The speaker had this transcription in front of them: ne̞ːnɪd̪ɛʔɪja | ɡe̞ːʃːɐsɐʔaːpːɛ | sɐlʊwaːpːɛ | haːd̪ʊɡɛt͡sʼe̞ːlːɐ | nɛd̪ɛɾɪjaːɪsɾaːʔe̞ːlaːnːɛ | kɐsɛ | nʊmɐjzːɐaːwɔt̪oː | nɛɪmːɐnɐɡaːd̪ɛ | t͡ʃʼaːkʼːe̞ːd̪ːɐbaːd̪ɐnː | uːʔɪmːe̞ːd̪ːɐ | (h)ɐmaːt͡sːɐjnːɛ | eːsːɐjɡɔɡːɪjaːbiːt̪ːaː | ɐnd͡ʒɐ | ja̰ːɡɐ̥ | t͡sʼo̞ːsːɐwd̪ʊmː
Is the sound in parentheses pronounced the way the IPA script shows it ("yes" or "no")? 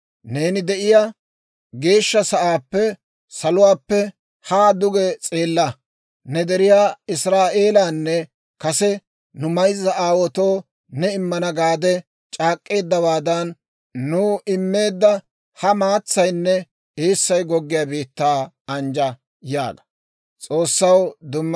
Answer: yes